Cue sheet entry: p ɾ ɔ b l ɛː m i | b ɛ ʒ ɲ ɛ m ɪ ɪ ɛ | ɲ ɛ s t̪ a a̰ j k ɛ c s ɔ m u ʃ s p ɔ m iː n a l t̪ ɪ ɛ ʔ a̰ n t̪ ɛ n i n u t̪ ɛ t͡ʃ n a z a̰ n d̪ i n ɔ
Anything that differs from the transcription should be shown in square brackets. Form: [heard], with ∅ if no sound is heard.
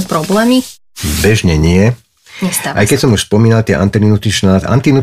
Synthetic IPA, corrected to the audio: p ɾ ɔ b l ɛː m i | b ɛ ʒ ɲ ɛ [ɲ] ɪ ɪ ɛ | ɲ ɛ s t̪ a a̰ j k ɛ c s ɔ m u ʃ s p ɔ m iː n a l t̪ ɪ ɛ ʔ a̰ n t̪ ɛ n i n u t̪ [i] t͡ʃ n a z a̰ n [t̪] i n [u]